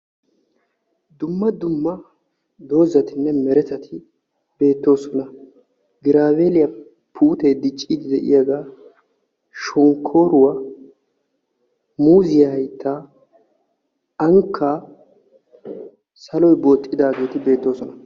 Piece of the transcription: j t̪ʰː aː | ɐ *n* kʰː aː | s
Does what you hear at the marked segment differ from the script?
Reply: yes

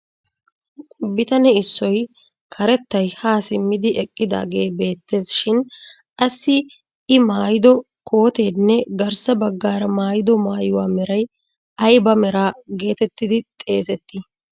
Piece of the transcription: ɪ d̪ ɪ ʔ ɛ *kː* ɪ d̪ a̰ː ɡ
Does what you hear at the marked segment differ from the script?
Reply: yes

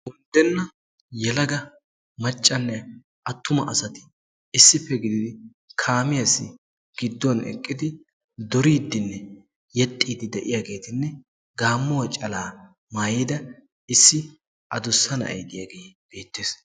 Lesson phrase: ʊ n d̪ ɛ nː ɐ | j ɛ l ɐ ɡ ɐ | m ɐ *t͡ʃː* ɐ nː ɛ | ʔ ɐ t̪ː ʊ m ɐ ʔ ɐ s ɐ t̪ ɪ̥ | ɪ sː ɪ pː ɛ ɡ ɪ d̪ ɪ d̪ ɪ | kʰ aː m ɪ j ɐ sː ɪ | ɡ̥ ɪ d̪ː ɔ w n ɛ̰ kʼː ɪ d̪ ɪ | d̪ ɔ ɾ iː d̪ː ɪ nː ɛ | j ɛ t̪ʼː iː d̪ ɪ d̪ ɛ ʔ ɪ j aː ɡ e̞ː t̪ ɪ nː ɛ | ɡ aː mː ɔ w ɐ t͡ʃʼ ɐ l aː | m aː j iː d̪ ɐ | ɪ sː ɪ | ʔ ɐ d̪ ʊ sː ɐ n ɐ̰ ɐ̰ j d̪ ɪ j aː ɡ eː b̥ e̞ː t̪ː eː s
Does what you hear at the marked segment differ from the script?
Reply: yes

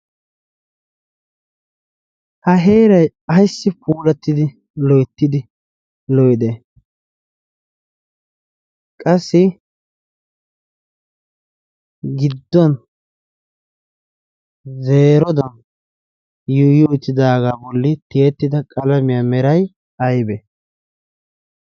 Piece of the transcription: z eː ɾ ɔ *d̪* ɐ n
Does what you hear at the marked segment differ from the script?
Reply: no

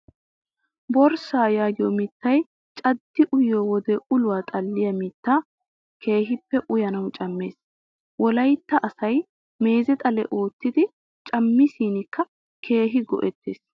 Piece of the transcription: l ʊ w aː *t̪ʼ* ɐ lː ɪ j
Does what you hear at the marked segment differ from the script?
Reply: no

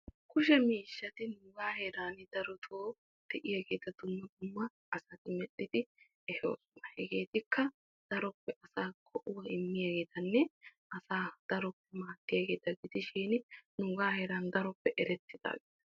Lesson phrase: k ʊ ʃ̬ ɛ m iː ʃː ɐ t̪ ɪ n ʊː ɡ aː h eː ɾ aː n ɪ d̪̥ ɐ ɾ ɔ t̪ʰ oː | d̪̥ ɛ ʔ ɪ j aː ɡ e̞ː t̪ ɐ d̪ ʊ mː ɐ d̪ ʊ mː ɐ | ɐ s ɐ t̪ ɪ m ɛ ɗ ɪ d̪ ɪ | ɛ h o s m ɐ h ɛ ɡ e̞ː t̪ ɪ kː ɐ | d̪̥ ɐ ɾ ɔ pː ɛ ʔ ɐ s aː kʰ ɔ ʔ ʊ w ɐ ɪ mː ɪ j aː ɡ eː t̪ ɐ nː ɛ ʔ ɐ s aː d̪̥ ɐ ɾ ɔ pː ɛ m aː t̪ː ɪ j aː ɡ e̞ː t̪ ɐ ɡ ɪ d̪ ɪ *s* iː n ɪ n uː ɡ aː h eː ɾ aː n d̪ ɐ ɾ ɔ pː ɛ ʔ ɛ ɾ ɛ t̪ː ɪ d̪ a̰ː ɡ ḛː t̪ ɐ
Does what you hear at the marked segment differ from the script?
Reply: yes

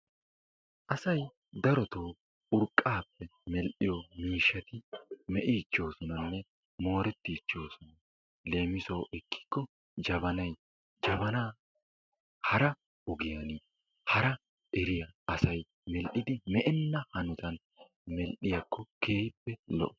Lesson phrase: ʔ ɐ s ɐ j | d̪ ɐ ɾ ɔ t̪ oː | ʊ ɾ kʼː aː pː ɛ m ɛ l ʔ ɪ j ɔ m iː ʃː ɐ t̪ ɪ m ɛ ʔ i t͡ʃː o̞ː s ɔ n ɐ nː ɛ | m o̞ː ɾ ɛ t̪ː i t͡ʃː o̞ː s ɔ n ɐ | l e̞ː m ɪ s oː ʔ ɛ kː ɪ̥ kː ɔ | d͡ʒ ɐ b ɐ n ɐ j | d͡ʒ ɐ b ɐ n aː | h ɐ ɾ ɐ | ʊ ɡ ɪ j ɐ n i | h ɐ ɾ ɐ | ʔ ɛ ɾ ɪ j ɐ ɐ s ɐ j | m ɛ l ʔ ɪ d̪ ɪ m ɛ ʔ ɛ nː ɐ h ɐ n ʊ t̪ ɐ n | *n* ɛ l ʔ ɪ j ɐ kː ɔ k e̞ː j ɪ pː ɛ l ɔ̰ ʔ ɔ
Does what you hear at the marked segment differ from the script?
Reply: yes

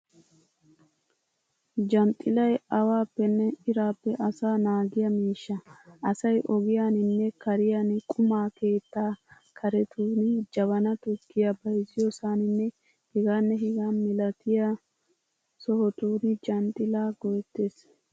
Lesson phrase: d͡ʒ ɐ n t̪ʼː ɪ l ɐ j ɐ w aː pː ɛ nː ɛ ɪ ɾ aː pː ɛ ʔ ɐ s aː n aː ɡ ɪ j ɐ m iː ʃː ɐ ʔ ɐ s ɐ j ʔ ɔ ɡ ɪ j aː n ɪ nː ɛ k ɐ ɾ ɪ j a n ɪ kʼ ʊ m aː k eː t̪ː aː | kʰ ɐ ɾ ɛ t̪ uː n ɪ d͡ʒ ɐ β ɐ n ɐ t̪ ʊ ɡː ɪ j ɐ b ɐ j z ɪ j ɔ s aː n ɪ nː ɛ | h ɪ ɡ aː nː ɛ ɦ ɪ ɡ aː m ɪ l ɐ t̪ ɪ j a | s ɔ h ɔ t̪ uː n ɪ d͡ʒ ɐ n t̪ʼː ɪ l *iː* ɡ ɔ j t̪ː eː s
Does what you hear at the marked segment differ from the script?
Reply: yes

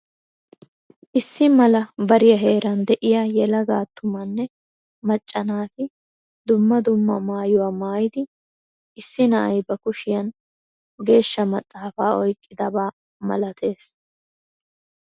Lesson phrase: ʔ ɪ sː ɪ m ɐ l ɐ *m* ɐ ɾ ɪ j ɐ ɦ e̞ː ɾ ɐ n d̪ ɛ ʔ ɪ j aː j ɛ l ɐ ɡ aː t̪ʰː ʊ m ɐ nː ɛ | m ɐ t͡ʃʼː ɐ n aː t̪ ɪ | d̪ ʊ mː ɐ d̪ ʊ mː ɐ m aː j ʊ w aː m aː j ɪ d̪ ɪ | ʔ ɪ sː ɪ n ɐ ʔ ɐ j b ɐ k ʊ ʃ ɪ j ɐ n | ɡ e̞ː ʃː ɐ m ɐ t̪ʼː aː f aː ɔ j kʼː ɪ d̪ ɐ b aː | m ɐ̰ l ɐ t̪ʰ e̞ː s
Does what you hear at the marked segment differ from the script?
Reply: yes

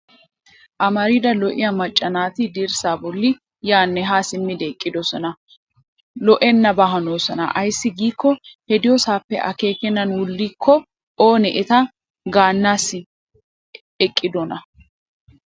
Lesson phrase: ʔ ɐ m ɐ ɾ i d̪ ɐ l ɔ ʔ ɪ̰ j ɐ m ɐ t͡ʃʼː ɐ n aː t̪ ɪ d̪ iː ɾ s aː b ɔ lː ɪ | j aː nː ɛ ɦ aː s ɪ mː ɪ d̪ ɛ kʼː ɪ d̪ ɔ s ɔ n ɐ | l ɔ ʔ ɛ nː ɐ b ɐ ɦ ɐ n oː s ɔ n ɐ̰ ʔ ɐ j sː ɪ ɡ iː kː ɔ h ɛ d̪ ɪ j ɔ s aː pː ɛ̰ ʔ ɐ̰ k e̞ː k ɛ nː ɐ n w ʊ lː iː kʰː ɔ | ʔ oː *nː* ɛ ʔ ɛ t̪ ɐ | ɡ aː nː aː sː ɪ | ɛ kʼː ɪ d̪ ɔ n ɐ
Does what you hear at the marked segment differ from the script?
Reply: yes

